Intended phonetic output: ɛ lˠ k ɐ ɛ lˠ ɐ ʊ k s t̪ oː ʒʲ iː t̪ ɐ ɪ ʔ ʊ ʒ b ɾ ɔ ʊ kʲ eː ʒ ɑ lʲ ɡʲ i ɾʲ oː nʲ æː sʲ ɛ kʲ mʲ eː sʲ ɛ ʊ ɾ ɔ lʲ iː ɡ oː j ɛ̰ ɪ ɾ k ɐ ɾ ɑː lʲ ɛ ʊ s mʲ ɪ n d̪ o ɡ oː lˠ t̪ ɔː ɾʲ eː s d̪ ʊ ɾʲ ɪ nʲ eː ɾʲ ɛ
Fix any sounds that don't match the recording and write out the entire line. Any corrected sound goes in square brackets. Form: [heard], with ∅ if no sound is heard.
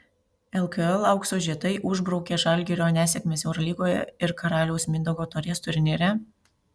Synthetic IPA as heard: ɛ lˠ k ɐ ɛ lˠ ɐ ʊ k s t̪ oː ʒʲ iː t̪ ɐ ɪ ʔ ʊ ʒ b ɾ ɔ ʊ kʲ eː ʒ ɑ lʲ ɡʲ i ɾʲ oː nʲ æː sʲ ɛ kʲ mʲ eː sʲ ɛ ʊ ɾ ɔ lʲ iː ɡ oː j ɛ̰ ɪ ɾ k ɐ ɾ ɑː lʲ ɛ ʊ s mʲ ɪ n d̪ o ɡ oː [∅] t̪ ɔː ɾʲ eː s [t̪] ʊ ɾʲ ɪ nʲ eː ɾʲ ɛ